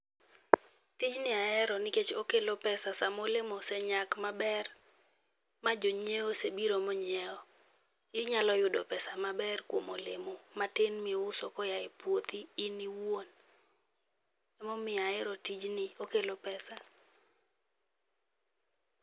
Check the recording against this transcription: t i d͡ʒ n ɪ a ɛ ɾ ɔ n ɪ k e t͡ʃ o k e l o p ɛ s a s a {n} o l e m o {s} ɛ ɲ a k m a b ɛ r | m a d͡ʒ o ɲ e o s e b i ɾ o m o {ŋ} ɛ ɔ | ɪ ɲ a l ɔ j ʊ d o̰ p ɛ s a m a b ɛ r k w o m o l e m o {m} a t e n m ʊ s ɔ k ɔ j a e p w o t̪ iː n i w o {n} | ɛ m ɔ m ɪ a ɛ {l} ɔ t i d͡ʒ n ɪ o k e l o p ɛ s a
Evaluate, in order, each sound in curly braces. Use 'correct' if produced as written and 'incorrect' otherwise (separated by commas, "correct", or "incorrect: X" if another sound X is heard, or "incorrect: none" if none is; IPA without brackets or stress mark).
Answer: incorrect: m, correct, incorrect: ɲ, correct, correct, incorrect: ɾ